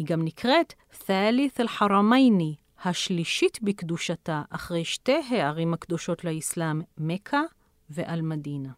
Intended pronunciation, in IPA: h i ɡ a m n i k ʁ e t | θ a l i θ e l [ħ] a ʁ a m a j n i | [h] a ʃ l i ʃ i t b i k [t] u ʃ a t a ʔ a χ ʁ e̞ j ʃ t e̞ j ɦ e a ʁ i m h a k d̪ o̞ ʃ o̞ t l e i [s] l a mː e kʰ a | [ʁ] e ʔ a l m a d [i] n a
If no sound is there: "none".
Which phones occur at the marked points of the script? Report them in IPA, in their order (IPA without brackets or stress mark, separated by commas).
ħ, h, d, s, v, i